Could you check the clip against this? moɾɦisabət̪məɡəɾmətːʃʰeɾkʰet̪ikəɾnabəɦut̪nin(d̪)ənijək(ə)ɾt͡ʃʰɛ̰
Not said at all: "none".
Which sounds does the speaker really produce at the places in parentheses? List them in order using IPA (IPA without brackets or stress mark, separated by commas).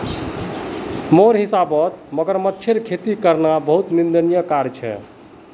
d̪, a